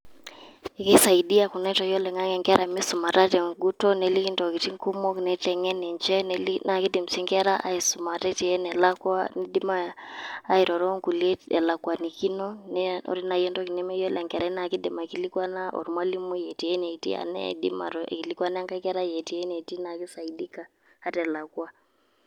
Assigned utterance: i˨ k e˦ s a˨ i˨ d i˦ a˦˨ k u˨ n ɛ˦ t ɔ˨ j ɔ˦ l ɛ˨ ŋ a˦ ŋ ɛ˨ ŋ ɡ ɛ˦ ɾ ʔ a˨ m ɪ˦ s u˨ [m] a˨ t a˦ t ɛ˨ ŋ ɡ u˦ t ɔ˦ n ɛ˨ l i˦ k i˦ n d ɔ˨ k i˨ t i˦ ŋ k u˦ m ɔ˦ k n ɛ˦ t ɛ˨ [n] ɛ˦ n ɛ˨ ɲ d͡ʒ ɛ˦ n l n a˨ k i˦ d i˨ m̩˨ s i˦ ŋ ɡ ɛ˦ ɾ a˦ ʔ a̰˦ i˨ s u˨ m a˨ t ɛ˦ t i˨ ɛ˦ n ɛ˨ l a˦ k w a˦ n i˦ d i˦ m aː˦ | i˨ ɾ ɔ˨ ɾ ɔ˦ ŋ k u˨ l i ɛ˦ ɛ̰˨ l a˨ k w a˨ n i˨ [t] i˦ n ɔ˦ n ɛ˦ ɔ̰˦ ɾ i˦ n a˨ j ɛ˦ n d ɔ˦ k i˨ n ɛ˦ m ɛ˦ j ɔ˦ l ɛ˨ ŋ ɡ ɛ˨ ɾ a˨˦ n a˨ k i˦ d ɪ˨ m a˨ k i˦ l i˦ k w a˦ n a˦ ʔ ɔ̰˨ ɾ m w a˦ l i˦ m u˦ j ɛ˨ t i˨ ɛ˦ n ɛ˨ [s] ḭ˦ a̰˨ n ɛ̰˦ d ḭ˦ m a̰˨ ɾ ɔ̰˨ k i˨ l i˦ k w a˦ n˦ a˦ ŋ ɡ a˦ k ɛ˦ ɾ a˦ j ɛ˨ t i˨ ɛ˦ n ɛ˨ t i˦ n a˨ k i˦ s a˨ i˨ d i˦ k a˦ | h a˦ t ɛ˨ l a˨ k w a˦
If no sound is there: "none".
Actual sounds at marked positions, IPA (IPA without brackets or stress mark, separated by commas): m, ŋ, k, t